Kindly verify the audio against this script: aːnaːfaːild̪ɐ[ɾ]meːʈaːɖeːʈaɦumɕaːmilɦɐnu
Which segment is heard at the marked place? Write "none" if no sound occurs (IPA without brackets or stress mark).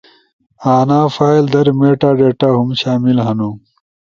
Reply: ɾ